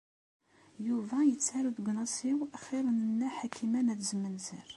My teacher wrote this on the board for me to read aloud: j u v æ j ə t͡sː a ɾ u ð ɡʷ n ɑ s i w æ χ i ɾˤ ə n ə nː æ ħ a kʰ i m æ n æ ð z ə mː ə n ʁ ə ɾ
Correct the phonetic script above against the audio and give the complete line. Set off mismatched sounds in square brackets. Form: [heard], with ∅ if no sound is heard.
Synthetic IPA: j u v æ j ə t͡sː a ɾ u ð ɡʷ n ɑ s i w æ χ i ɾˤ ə n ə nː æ ħ a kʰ i m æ n æ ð z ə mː ə n [z] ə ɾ